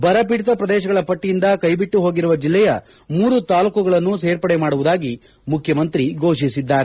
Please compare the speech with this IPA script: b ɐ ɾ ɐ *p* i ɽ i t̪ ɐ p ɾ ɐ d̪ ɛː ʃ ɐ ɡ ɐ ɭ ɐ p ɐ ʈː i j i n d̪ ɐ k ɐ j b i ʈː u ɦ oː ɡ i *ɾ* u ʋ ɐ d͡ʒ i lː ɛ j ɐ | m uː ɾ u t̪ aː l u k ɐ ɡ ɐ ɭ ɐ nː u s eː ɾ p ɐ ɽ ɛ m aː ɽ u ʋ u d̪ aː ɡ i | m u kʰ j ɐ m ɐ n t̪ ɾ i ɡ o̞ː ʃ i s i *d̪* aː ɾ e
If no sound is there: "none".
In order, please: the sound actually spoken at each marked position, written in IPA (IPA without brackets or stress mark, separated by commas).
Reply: p, ɾ, d̪ː